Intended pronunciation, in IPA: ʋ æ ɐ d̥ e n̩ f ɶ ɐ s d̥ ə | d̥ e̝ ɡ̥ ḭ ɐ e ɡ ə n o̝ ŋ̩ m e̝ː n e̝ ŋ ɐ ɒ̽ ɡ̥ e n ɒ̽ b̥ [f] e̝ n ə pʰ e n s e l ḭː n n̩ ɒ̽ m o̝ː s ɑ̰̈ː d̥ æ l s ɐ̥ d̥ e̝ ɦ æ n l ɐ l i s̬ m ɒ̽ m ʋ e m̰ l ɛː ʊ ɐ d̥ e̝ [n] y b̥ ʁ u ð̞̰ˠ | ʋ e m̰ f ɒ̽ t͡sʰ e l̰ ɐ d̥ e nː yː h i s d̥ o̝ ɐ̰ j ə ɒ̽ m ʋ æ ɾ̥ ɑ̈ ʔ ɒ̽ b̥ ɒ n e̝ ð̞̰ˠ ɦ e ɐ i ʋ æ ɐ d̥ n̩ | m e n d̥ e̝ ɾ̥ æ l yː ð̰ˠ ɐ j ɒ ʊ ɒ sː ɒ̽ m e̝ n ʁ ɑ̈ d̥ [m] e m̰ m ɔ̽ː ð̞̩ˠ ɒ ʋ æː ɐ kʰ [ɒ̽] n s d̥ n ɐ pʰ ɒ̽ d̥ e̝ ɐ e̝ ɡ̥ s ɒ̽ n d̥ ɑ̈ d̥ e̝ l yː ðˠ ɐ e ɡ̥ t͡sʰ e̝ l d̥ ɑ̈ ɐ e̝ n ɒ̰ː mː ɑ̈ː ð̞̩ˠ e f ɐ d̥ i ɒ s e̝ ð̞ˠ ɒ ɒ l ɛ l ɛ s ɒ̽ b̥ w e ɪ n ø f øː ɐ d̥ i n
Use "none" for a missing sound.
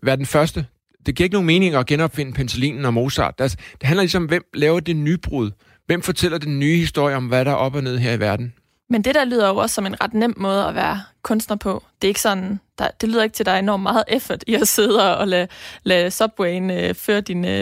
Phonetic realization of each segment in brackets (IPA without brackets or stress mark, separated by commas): f, n, n, ɔ̽